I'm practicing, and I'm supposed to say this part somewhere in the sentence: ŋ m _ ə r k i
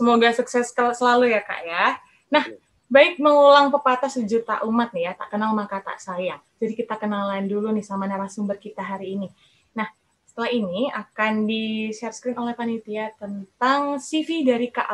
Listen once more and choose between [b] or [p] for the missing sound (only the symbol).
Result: b